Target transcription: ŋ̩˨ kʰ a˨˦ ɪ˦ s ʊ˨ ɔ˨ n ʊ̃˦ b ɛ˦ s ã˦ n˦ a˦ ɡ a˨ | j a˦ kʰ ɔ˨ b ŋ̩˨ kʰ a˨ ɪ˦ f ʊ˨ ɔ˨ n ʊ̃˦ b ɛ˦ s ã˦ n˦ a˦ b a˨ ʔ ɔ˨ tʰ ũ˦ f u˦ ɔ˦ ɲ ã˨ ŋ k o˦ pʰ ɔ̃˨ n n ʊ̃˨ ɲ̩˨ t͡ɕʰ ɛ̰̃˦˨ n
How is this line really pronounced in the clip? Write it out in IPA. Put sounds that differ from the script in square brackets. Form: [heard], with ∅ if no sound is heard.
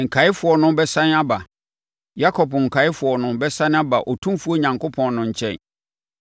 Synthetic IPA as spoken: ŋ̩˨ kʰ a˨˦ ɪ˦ [f] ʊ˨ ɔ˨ n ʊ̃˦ b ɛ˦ s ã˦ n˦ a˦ [b] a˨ | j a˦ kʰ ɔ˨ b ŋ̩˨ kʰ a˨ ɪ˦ f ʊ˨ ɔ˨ n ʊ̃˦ b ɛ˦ s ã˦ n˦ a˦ b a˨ ʔ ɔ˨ tʰ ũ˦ f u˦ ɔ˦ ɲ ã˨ ŋ k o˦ pʰ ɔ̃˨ n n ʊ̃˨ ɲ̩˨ t͡ɕʰ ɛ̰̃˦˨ n